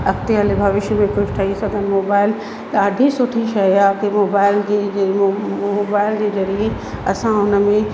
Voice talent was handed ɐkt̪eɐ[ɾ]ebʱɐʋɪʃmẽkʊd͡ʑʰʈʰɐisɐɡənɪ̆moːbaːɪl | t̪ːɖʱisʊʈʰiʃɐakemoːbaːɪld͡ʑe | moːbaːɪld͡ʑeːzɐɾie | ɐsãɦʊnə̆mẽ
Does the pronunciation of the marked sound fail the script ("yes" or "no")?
yes